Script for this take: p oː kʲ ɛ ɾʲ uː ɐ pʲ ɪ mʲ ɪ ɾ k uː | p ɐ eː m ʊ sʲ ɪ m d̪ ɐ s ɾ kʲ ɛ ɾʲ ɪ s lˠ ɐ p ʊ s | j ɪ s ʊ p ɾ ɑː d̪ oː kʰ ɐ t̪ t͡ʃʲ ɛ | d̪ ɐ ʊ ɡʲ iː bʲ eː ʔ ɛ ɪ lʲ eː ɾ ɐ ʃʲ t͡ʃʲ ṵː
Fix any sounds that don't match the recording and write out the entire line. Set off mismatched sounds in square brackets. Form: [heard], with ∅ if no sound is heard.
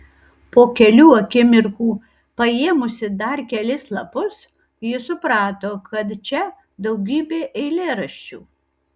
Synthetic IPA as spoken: p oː kʲ ɛ [lʲ] uː ɐ [kʲ] ɪ mʲ ɪ ɾ k uː | p ɐ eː m ʊ sʲ ɪ [∅] d̪ ɐ [∅] ɾ kʲ ɛ [lʲ] ɪ s lˠ ɐ p ʊ s | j ɪ s ʊ p ɾ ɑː [t̪] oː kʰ ɐ t̪ t͡ʃʲ ɛ | d̪ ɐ ʊ ɡʲ iː bʲ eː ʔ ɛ ɪ lʲ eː ɾ ɐ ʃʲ t͡ʃʲ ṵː